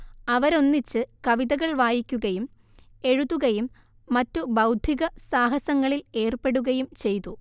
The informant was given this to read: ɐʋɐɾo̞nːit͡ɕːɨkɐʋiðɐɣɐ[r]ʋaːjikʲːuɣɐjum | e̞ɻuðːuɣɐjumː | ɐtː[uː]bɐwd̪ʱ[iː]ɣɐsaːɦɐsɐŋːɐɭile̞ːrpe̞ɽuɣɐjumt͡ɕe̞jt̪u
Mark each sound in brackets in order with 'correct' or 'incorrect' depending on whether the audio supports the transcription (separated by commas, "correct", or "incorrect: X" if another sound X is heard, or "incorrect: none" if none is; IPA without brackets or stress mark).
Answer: incorrect: ɭ, incorrect: u, incorrect: i